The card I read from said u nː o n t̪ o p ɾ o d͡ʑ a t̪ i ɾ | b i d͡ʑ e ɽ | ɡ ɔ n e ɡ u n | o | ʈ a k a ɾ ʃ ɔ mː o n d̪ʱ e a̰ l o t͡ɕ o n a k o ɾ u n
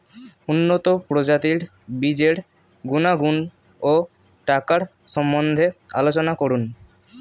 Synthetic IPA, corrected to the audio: u nː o t̪ o p ɾ o d͡ʑ a t̪ i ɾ | b i d͡ʑ e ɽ | ɡ u n a ɡ u n | o | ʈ a k a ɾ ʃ ɔ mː o n d̪ʱ e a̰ l o t͡ɕ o n a k o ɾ u n